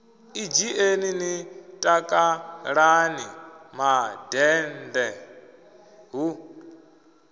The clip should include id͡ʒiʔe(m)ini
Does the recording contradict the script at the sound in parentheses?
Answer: yes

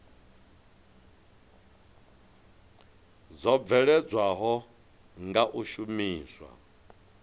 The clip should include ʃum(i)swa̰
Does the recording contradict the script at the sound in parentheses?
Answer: yes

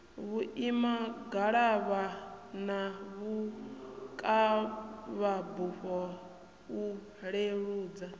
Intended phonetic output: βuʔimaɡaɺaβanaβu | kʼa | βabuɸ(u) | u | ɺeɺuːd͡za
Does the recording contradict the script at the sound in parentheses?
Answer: yes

